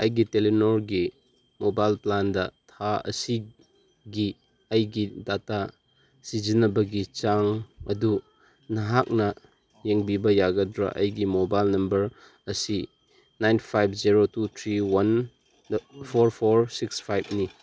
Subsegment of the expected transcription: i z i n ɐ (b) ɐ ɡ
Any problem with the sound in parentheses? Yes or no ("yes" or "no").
no